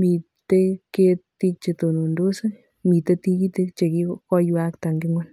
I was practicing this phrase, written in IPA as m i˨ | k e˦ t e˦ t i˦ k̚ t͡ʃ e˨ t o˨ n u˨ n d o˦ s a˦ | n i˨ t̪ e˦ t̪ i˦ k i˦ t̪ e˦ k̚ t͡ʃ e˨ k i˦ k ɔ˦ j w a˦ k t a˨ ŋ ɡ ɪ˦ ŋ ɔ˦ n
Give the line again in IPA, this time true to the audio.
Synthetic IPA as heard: m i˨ | t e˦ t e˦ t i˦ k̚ t͡ʃ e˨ t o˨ n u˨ n d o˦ s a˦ | m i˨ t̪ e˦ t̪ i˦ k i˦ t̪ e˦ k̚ t͡ʃ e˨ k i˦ k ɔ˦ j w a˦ k t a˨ ŋ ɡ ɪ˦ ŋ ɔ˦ n